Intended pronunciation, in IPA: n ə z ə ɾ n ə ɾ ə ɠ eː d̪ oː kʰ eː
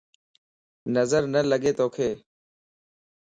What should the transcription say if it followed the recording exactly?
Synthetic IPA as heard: n ə z ə ɾ n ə l ə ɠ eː t̪ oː kʰ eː